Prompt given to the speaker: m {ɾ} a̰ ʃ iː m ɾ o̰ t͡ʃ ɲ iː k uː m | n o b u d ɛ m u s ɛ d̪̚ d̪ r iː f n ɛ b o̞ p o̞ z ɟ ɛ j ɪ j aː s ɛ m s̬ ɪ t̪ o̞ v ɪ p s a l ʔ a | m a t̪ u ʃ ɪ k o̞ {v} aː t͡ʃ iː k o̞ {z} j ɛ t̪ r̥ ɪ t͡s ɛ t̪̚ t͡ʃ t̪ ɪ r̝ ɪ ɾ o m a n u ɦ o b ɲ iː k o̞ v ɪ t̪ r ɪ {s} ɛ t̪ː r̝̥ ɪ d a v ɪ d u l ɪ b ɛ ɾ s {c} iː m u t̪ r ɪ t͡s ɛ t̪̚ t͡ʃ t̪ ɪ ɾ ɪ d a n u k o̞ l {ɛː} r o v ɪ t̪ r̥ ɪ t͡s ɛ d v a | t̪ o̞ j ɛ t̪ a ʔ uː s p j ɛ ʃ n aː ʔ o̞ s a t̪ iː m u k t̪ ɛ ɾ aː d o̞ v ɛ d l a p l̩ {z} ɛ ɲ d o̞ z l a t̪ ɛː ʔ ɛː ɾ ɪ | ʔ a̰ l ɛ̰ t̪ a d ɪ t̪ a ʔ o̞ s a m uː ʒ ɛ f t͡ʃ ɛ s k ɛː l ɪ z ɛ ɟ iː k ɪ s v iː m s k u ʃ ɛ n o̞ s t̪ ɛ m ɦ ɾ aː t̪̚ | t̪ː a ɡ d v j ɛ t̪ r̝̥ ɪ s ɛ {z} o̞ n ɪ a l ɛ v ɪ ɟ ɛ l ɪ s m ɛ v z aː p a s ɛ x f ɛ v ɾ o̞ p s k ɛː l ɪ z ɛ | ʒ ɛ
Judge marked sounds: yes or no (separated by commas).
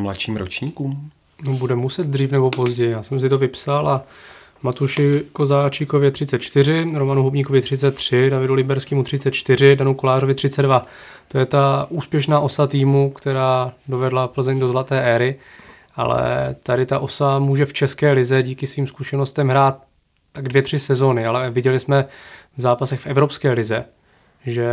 no, no, no, no, no, no, yes, yes